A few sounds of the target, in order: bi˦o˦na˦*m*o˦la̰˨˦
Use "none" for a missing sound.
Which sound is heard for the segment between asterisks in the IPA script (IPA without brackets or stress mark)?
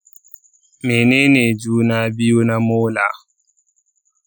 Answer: m